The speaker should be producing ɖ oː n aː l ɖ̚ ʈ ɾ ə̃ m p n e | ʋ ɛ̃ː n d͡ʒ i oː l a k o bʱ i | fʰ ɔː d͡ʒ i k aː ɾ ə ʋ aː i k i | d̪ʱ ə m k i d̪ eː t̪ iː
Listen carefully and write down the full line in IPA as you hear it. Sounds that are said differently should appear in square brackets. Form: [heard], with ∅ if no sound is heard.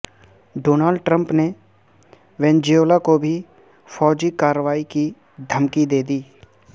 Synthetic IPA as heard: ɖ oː n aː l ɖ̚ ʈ ɾ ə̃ m p n e | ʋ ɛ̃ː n d͡ʒ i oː l a k o bʱ i | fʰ ɔː d͡ʒ i k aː ɾ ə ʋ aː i k i | d̪ʱ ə m k i d̪ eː [d̪] iː